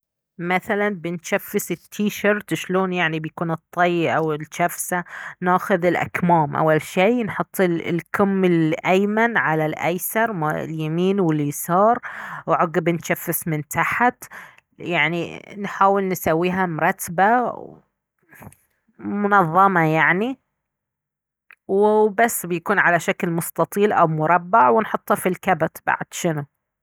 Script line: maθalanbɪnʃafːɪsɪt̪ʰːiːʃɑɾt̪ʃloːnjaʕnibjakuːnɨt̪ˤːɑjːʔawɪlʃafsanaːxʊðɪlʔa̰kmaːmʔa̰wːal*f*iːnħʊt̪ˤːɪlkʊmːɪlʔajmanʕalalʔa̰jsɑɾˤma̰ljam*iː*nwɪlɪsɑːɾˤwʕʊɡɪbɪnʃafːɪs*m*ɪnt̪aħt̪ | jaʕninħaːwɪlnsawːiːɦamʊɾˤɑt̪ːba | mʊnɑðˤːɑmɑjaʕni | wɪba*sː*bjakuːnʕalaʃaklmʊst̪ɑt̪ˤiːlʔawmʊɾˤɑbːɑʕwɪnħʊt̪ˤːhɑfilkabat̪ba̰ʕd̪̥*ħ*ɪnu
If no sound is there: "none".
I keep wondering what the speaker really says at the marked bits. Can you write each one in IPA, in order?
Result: ʃ, iː, m, sː, ʃ

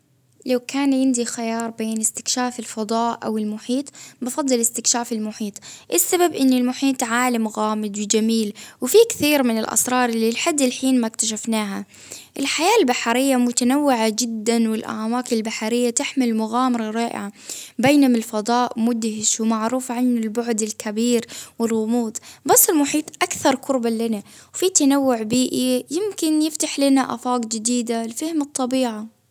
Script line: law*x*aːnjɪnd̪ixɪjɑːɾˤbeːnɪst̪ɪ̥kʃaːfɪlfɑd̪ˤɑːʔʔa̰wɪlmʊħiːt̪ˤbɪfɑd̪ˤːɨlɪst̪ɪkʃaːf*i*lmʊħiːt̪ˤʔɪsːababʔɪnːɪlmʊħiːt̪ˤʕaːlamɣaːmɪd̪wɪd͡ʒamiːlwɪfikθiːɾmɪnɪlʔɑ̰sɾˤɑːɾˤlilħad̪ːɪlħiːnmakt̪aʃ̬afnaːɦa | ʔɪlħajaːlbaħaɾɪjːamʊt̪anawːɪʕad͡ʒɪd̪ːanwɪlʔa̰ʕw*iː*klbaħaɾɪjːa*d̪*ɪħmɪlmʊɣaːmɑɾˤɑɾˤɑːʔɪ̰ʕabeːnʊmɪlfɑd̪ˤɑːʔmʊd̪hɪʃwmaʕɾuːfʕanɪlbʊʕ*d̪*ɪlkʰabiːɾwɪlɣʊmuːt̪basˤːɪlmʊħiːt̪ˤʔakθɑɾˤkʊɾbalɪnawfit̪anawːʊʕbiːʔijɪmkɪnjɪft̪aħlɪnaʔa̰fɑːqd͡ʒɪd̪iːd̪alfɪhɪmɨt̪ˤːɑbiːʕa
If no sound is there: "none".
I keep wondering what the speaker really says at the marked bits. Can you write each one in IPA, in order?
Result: k, ɪ, aː, t̪, d̪

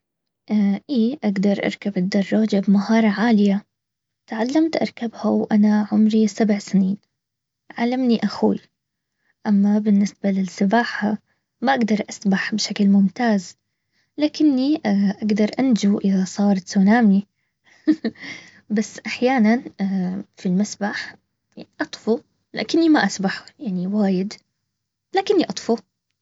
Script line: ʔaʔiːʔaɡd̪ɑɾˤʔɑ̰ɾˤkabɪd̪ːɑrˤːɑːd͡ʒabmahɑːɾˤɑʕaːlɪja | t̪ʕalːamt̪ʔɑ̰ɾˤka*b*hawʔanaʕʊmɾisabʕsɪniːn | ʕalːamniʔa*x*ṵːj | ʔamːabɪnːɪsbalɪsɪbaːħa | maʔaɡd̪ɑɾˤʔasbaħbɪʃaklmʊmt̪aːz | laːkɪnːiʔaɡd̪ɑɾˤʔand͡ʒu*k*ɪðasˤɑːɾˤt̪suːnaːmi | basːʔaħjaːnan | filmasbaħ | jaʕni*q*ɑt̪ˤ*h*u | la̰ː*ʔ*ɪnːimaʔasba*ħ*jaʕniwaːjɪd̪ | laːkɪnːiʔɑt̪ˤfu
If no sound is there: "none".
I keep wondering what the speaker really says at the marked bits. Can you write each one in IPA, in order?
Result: b, x, ʔ, ʔ, f, k, ħ

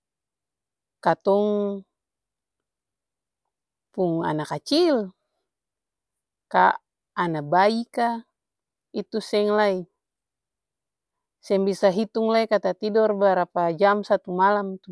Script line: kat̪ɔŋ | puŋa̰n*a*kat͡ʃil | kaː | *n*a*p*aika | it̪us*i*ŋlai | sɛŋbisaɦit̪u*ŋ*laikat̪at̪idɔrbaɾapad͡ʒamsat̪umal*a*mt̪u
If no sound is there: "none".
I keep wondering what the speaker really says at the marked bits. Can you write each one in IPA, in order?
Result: a, n, b, ɛ, ŋ, a

